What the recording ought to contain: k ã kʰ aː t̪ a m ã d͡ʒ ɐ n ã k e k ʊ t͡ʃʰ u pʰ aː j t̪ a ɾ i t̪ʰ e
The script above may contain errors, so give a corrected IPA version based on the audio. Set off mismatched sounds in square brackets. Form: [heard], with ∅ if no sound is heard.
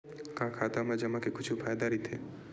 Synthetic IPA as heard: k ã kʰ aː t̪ a m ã d͡ʒ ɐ [m] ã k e k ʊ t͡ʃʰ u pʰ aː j [d̪] a ɾ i t̪ʰ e

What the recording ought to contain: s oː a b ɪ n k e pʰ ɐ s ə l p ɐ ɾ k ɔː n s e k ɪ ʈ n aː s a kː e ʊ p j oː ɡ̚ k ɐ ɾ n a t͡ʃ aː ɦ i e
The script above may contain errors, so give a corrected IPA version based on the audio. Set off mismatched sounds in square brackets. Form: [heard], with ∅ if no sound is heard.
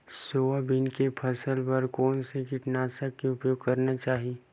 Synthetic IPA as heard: s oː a b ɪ n k e pʰ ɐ s ə l p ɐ ɾ k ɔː n s e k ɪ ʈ n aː s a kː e ʊ p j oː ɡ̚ k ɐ ɾ n a t͡ʃ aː ɦ i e

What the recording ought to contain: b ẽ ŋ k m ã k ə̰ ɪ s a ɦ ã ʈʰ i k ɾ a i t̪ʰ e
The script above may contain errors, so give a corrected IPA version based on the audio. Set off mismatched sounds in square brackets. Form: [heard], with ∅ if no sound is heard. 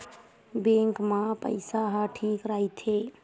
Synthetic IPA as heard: b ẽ ŋ k m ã [p] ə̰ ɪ s a ɦ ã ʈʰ i k ɾ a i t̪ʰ e

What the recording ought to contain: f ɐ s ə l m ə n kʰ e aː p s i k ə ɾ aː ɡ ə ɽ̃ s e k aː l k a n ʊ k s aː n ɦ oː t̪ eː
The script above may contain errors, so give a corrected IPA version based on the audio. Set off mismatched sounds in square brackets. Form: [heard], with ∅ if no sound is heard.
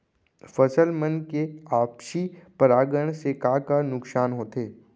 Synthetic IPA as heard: f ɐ s ə l m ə n [k] e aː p [ʃ] i [p] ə ɾ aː ɡ ə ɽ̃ s e k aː [∅] k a n ʊ k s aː n ɦ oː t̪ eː

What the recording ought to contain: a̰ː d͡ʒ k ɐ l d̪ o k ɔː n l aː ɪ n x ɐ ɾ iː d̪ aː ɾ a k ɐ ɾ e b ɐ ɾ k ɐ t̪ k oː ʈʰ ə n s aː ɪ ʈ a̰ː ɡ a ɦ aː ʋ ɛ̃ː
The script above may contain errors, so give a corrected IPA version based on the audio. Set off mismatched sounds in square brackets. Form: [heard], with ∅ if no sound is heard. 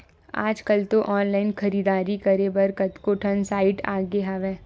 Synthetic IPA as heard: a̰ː d͡ʒ k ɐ l [t̪] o [ʔ] ɔː n l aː ɪ n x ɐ ɾ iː d̪ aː ɾ [i] k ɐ ɾ e b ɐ ɾ k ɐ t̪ k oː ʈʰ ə n s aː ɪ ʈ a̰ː ɡ [e] ɦ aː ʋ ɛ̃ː

